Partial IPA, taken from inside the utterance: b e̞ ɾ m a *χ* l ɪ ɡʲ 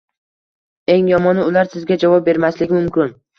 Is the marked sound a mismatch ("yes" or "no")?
yes